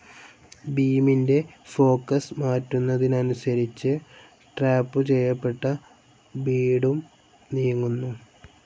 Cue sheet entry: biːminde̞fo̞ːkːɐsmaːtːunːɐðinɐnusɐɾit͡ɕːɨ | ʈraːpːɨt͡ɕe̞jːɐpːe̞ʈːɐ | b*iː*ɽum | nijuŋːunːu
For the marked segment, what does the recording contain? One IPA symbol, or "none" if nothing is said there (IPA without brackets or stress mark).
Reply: iː